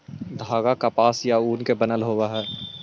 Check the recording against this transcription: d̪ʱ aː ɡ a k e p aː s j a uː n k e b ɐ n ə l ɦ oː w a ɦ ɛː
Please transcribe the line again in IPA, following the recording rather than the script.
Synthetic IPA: d̪ʱ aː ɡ a k a p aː s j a uː n k e b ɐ n ə l ɦ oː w a ɦ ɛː